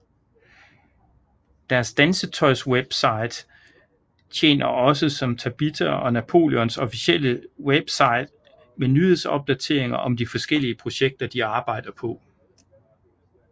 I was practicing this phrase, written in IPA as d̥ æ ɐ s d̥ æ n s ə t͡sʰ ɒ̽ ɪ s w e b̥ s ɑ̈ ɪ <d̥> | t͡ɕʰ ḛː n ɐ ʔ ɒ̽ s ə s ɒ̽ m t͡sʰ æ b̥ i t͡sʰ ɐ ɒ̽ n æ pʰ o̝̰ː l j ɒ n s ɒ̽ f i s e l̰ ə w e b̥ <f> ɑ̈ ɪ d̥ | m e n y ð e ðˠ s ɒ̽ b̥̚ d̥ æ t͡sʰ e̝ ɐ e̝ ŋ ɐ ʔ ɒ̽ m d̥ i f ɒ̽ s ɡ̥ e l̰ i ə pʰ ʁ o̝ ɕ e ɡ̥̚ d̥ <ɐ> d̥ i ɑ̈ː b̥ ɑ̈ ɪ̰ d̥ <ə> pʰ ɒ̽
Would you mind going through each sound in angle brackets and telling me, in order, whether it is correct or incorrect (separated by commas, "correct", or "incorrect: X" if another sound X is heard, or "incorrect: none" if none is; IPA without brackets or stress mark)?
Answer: correct, incorrect: s, correct, incorrect: ɐ